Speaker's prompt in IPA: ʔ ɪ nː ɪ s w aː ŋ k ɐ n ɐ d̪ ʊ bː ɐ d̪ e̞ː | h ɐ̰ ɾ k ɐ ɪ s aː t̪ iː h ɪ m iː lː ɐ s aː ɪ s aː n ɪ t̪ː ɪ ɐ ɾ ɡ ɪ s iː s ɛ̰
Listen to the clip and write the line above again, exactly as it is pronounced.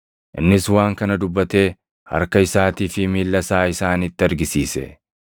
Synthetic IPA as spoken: ʔ ɪ nː ɪ s w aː ŋ k ɐ n ɐ d̪ ʊ bː ɐ t̪ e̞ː | h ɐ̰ ɾ k ɐ ɪ s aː t̪ iː f ɪ m iː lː ɐ s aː ɪ s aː n ɪ t̪ː ɪ ɐ ɾ ɡ ɪ s iː s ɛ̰